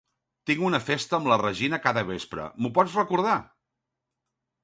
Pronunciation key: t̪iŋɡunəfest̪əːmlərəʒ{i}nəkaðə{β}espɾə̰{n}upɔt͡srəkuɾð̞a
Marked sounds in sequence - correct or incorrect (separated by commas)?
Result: correct, correct, incorrect